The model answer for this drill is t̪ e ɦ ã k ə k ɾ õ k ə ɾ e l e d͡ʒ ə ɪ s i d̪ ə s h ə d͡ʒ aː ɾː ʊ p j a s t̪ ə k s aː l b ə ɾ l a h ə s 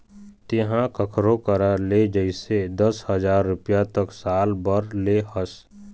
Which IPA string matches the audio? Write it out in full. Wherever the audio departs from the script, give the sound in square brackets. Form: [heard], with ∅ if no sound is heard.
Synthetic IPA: t̪ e ɦ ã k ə [kʰ] ɾ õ k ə ɾ [a] l e d͡ʒ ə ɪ s [e] d̪ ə s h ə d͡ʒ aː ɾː ʊ p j a [∅] t̪ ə k s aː l b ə ɾ l [e] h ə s

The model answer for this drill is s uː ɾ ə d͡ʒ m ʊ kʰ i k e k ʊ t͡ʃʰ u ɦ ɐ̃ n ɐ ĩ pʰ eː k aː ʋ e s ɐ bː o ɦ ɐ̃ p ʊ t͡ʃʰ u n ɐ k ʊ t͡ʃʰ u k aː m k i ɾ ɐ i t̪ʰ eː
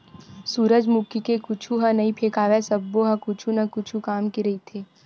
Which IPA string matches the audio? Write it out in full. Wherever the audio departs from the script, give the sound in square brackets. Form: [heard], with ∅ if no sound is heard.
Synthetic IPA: s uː ɾ ə d͡ʒ m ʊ [k] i k e k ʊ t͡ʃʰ u ɦ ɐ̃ n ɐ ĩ pʰ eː k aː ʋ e s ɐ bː o ɦ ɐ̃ [k] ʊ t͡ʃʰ u n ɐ k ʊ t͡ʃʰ u k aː m k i ɾ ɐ i t̪ʰ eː

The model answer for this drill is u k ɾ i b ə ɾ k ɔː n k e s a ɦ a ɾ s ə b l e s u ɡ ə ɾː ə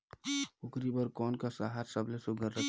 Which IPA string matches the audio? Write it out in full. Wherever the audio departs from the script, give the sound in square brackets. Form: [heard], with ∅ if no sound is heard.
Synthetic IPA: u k ɾ i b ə ɾ k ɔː n k [a] s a ɦ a ɾ s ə b l e s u ɡ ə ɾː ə

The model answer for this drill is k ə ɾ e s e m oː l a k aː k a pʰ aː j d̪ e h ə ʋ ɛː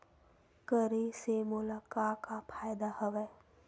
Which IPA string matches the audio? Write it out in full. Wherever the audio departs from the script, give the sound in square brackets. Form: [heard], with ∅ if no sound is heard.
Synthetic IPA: k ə ɾ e s e m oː l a k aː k a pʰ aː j d̪ [a] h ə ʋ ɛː

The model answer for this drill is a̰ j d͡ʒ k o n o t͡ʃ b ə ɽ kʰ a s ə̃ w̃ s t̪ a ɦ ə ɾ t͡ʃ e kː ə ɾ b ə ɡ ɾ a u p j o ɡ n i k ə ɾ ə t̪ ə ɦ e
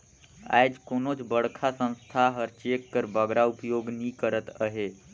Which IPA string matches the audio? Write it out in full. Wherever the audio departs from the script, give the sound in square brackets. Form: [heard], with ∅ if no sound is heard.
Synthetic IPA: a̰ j d͡ʒ k o n o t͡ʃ b ə ɽ kʰ a s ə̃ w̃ s [t̪ʰ] a ɦ ə ɾ t͡ʃ e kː ə ɾ b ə ɡ ɾ a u p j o ɡ n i k ə ɾ ə t̪ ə ɦ e

